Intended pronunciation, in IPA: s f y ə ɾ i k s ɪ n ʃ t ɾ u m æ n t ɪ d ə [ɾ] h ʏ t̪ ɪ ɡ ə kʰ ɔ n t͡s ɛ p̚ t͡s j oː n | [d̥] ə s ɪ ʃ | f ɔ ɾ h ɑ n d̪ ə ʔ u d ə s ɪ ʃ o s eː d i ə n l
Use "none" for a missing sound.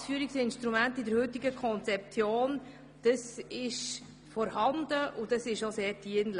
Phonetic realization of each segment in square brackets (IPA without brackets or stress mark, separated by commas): ɾ, d̥